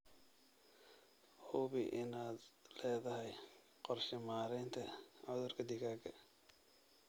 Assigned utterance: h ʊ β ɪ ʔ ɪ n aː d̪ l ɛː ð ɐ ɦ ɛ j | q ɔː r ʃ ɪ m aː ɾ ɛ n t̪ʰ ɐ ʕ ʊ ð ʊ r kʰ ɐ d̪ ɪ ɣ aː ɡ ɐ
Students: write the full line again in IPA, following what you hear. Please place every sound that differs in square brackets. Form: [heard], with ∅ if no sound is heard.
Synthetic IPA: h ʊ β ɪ ʔ ɪ n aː d̪ l ɛː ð ɐ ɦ ɛ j | q [ɔ] r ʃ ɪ m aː ɾ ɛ n t̪ʰ ɐ ʕ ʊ ð ʊ r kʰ ɐ d̪ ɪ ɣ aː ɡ ɐ